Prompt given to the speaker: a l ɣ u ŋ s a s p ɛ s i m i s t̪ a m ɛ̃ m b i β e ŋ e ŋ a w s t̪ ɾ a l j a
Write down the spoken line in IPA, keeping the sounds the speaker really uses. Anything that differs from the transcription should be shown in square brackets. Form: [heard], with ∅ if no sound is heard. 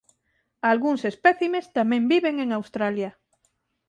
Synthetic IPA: a l ɣ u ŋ s [e] s p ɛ [θ] i m [e] s t̪ a m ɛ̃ m b i β e ŋ e ŋ a w s t̪ ɾ a l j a